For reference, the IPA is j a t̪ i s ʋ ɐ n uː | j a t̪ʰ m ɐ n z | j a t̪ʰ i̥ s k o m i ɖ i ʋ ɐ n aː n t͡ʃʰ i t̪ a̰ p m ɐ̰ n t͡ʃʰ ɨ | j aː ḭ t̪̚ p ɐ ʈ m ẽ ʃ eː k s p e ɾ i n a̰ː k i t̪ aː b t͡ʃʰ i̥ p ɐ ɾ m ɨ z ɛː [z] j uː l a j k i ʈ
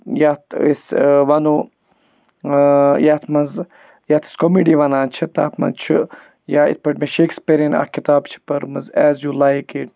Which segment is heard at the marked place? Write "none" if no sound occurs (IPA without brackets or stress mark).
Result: z